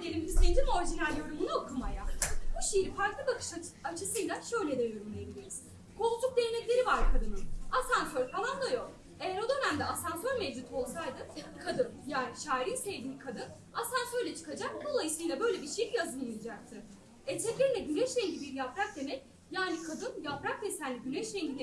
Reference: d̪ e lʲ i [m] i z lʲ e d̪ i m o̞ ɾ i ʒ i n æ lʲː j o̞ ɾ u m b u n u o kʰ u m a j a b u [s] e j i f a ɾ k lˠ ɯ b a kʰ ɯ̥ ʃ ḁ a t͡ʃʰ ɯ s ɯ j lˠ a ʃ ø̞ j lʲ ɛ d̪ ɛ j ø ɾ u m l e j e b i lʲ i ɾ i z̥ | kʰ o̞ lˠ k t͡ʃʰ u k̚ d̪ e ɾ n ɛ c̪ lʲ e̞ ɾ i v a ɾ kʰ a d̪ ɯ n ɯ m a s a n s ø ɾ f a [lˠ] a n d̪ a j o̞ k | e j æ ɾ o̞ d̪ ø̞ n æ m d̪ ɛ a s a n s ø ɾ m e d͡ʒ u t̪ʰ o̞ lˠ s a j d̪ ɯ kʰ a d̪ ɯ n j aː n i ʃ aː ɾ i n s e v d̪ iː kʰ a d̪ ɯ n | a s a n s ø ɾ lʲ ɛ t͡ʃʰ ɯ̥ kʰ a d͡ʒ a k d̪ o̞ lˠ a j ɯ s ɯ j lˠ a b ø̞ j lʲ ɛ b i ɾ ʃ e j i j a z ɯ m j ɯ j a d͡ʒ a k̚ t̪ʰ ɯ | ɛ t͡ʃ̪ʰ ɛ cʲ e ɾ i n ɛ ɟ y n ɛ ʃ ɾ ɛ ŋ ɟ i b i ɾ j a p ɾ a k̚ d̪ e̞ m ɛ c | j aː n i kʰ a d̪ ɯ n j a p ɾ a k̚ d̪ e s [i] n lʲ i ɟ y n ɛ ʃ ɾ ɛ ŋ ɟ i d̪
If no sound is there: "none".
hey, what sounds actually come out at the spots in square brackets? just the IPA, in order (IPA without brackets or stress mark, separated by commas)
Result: m, ʃ, lˠ, æ